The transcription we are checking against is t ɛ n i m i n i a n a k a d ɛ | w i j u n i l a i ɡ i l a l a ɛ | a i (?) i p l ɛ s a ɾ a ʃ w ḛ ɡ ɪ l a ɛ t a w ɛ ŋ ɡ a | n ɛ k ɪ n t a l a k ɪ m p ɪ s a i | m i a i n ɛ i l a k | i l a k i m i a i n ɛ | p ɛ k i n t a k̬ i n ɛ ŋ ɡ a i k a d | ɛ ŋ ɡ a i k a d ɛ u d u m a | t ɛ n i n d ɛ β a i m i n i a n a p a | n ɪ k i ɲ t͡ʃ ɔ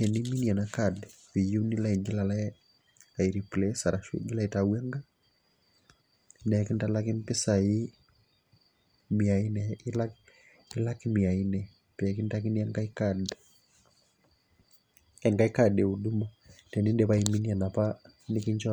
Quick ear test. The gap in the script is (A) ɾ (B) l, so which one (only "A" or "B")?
A